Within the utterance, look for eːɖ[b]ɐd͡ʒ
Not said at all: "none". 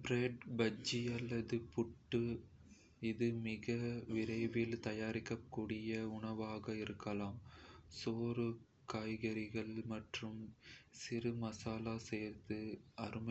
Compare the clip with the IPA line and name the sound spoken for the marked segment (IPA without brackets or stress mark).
b